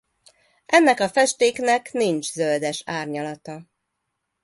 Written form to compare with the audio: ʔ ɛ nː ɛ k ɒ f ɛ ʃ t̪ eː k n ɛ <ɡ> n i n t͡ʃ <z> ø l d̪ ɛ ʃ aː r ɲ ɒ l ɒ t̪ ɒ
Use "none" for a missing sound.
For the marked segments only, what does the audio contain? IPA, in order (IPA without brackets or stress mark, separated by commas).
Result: k, z